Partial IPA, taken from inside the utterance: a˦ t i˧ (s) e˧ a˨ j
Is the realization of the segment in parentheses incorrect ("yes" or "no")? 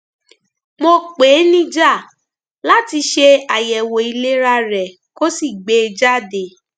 yes